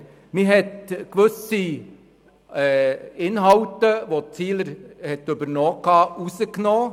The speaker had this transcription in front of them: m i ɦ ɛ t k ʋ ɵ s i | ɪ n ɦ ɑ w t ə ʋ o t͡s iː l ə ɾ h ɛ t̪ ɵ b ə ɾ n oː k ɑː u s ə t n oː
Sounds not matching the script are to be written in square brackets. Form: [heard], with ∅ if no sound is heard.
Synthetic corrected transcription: m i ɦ ɛ t k ʋ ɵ s i | ɪ n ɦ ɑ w t ə ʋ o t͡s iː l ə ɾ h ɛ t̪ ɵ b ə ɾ n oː k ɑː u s ə [k] n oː

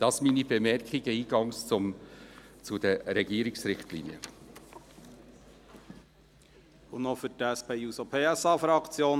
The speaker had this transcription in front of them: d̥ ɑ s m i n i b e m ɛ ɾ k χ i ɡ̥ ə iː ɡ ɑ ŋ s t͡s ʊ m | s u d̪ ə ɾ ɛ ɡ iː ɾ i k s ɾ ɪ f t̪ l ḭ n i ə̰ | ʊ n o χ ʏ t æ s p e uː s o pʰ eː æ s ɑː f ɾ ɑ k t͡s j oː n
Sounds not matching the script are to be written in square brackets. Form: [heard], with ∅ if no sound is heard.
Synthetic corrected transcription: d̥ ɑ s m i n i b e m ɛ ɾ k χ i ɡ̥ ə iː ɡ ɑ ŋ s t͡s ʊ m | [t͡s] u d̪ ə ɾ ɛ ɡ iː ɾ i k s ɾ ɪ [χ] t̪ l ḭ n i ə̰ | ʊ n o [f] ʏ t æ s p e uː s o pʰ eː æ s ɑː f ɾ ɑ k t͡s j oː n

